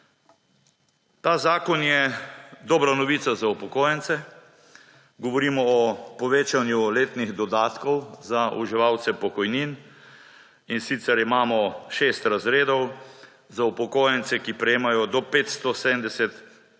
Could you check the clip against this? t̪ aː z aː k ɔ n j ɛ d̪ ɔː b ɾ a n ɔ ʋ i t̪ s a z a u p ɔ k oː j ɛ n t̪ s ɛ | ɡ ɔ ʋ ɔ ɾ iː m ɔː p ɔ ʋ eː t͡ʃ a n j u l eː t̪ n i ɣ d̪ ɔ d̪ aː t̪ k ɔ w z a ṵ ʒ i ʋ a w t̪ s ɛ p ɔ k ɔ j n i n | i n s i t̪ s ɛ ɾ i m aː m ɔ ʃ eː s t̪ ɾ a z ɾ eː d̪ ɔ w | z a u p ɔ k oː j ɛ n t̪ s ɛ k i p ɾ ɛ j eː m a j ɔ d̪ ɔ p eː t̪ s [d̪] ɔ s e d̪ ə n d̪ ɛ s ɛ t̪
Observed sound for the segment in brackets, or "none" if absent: t̪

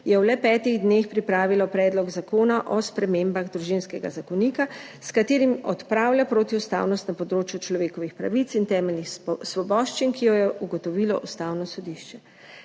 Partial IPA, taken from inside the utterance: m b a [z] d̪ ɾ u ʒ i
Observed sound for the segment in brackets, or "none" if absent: ɣ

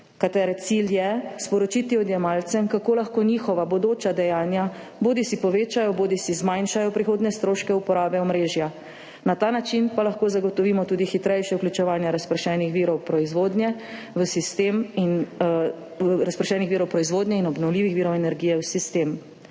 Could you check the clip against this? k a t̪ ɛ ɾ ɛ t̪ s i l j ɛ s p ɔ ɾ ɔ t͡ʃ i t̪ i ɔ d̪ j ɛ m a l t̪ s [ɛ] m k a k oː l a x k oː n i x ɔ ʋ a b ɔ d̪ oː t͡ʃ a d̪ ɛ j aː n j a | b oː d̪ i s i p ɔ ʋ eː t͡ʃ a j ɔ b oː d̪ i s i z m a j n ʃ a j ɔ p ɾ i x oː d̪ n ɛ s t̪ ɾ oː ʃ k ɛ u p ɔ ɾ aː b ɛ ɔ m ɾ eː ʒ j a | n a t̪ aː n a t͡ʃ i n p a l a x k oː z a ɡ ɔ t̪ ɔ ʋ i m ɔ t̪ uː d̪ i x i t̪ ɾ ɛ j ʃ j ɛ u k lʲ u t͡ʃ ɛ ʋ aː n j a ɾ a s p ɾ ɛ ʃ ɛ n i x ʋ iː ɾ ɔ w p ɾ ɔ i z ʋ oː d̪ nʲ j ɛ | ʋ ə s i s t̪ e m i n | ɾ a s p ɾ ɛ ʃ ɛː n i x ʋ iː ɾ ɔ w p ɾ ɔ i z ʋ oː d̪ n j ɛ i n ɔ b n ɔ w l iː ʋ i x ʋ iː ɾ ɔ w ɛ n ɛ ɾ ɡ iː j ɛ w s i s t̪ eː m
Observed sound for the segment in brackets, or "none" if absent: ɛ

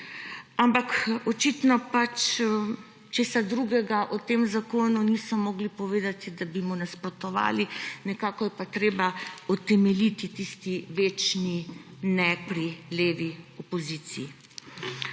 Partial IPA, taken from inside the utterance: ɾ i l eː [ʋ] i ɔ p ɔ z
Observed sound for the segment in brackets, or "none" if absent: ʋ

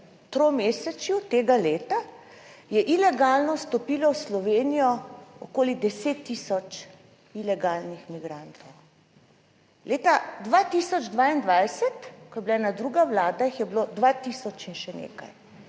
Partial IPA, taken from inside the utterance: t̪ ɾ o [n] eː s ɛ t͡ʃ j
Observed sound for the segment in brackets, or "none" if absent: m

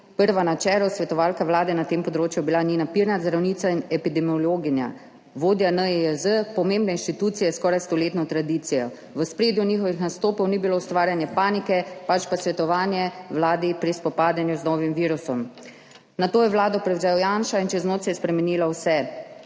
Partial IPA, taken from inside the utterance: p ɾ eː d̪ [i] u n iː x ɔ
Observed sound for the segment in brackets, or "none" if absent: j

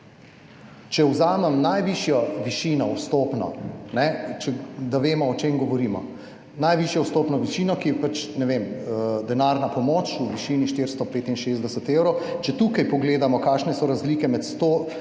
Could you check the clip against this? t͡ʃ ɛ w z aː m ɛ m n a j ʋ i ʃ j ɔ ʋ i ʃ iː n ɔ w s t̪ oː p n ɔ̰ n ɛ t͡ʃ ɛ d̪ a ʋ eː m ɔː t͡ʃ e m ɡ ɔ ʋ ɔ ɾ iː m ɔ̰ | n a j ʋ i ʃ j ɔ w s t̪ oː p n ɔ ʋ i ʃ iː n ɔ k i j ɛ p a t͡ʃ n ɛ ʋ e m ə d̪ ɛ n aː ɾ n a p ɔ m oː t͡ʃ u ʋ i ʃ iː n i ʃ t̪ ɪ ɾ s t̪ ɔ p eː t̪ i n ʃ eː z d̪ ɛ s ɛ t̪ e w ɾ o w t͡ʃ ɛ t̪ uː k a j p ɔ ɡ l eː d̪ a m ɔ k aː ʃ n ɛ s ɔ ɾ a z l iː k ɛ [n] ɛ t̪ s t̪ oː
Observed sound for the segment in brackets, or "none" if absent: m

